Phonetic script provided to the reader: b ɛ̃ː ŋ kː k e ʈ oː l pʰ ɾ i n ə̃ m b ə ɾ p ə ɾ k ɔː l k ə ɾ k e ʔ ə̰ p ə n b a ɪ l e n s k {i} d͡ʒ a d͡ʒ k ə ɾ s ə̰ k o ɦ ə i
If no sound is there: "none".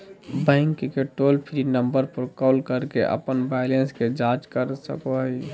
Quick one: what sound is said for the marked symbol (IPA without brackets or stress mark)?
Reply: e